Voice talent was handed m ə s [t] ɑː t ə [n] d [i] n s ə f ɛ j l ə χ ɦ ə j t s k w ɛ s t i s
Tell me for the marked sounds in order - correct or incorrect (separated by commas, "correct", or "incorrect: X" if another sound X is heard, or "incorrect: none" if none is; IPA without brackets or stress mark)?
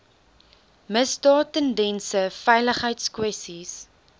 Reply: incorrect: d, correct, incorrect: ɛ